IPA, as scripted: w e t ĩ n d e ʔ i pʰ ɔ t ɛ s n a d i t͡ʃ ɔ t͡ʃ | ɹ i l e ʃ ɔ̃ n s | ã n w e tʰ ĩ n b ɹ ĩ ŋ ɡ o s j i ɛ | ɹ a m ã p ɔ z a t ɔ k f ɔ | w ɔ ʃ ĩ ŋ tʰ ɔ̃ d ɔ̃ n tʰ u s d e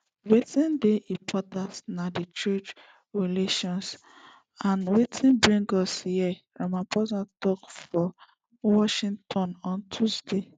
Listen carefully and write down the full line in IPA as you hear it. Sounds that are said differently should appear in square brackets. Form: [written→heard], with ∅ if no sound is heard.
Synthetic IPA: w e t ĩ n d e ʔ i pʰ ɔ t [ɛ→a] s n a d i t͡ʃ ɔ t͡ʃ | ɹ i l e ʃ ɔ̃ n s | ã n w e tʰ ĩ n b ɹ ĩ ŋ ɡ [o→ɔ] s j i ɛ | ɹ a m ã p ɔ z a t ɔ k f ɔ | w ɔ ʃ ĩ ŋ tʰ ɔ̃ [d→n] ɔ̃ n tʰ u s d e